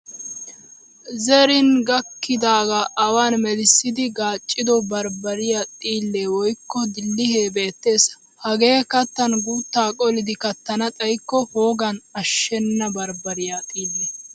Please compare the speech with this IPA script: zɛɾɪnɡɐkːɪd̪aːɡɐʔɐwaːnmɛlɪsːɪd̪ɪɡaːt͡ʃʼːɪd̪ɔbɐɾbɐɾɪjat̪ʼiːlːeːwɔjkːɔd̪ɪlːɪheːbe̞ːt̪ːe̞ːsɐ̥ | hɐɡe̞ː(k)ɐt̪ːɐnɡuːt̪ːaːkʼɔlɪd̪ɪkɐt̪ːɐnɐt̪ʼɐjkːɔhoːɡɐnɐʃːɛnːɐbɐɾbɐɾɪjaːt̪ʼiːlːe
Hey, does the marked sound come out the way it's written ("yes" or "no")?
yes